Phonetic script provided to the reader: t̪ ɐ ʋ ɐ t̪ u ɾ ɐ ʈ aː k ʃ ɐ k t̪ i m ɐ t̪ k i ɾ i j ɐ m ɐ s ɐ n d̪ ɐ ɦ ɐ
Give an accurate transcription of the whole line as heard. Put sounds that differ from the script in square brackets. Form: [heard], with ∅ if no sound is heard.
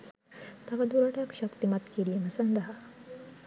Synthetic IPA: t̪ ɐ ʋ ɐ [d̪] u ɾ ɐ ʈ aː k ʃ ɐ k t̪ i m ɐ t̪ k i ɾ i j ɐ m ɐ s ɐ n d̪ ɐ ɦ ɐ